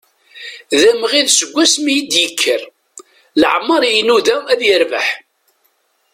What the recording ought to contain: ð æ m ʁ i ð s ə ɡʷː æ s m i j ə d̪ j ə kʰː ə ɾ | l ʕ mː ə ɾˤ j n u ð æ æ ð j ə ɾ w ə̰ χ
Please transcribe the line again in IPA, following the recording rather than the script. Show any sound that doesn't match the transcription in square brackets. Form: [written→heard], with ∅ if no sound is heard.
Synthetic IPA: ð æ m ʁ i ð s ə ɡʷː æ s m i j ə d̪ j ə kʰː ə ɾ | l ʕ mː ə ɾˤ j n u ð æ æ ð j ə ɾ [w→v] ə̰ [χ→ħ]

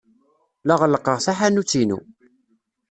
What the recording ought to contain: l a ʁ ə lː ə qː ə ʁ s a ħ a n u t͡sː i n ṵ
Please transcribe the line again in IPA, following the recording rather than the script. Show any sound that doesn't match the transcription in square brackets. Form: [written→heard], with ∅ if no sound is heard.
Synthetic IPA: l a ʁ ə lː ə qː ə ʁ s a ħ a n u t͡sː i n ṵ

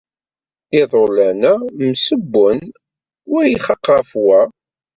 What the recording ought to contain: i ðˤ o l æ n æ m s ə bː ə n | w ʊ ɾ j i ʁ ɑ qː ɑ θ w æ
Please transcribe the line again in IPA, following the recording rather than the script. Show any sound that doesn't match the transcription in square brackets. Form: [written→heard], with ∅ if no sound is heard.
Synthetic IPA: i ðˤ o l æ n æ m s ə bː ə n | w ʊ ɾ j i [ʁ→χ] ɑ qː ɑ [θ→f] w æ

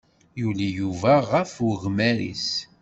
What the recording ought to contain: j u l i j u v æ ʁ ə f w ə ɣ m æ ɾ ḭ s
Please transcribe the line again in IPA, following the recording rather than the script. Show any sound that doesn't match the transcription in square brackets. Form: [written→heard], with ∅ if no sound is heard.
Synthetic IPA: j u l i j u v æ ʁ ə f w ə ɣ m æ ɾ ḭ s

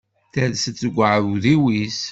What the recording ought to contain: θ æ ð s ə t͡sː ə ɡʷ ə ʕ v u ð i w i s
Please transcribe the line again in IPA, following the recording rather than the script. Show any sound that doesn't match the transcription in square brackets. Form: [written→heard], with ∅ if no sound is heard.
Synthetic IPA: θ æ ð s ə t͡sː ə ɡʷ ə ʕ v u ð i w i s

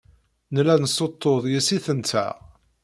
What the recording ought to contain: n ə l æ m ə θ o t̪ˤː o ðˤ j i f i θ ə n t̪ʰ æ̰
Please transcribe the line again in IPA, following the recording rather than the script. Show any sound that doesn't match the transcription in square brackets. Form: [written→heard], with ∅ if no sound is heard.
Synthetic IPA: n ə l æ [m→n] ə [θ→s] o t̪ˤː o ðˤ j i [f→s] i θ ə n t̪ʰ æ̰

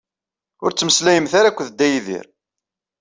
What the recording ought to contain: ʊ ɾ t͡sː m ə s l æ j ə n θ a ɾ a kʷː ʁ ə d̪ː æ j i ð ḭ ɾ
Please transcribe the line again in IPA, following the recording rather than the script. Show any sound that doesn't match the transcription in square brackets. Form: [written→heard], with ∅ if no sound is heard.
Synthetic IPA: ʊ ɾ t͡sː m ə s l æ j ə [n→m] θ a ɾ a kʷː [ʁ→ð] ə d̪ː æ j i ð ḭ ɾ

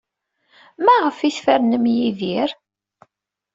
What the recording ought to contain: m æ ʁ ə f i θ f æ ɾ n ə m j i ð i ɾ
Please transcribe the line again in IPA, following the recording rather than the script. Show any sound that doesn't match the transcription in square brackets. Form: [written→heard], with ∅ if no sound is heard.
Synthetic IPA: m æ ʁ ə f i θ f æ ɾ n ə m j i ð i ɾ

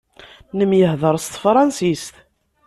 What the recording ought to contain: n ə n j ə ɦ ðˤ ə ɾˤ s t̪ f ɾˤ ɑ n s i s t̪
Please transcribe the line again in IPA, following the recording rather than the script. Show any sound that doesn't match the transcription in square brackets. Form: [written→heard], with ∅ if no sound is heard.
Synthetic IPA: n ə [n→m] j ə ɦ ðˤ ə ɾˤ s t̪ f ɾˤ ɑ n s i s t̪

